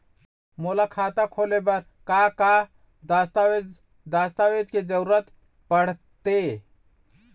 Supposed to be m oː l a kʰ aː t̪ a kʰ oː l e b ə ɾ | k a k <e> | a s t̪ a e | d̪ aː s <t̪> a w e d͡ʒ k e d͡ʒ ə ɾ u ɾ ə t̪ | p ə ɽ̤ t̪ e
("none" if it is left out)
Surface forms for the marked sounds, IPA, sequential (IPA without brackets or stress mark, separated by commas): a, t̪